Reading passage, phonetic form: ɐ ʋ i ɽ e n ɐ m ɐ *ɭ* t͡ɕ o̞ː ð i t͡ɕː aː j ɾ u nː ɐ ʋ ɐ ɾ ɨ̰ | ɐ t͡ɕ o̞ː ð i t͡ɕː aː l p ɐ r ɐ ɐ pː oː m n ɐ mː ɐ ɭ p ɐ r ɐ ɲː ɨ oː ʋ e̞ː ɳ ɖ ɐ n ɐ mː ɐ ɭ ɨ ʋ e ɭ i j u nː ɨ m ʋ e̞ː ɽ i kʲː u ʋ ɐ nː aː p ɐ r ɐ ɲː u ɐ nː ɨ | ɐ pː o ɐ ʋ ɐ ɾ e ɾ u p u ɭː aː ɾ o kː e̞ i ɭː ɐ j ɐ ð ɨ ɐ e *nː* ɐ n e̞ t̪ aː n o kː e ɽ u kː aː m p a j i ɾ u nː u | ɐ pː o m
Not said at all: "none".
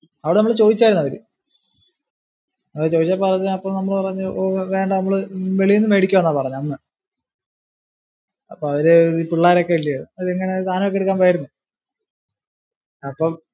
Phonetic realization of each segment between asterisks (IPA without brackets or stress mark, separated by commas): ɭ, ŋː